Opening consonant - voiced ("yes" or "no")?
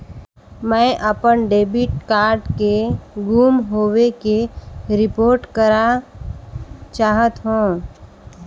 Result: yes